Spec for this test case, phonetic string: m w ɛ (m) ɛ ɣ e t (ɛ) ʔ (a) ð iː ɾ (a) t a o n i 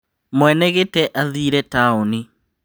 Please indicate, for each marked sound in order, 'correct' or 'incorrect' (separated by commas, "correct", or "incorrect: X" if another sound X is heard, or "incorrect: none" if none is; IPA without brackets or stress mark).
incorrect: n, correct, correct, incorrect: ɛ